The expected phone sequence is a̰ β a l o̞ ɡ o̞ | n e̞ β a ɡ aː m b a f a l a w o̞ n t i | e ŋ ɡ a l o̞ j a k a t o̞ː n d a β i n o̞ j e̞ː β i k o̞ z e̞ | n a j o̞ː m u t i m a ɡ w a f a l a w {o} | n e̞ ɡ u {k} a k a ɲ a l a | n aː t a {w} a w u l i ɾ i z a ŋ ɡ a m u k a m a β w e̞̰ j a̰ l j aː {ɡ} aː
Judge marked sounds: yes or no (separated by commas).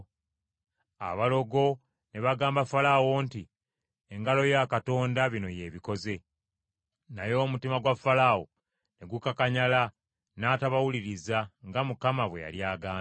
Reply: yes, yes, no, yes